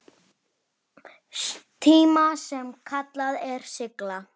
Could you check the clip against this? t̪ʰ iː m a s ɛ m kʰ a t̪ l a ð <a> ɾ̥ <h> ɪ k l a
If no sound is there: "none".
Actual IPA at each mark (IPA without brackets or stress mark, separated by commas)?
ɛ, s